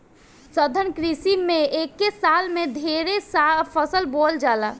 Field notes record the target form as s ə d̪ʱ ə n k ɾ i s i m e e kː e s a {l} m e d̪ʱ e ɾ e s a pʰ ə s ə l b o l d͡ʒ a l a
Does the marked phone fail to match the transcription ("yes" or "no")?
no